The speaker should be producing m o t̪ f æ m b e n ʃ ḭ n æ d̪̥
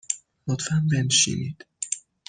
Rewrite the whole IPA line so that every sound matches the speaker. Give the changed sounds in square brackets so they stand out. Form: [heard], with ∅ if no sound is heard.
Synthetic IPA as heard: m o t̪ f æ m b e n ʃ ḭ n [i] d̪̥